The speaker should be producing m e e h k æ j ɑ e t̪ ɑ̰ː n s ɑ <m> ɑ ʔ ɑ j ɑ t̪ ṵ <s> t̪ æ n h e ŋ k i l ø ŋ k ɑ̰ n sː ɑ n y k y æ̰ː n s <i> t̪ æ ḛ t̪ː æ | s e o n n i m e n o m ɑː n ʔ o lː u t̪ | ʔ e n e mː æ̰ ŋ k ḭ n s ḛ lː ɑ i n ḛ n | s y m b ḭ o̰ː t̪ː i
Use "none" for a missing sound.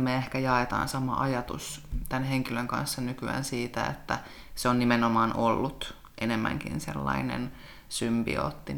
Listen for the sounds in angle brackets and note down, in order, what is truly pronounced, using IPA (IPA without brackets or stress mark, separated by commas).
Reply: m, s, iː